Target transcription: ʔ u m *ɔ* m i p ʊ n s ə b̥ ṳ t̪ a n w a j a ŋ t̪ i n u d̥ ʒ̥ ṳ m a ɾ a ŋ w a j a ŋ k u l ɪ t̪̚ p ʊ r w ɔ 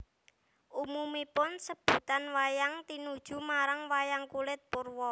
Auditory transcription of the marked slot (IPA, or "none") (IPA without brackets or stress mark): u